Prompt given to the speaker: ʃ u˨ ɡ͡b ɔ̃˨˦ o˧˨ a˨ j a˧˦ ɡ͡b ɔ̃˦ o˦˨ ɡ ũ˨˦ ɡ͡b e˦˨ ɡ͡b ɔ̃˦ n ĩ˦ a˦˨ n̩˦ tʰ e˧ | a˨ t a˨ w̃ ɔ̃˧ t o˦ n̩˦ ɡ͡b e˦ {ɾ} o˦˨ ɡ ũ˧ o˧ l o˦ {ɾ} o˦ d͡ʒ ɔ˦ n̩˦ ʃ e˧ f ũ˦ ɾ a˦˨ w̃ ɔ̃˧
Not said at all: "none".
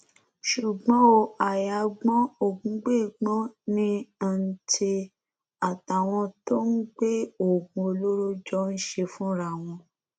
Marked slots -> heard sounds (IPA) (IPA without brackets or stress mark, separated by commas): none, ɾ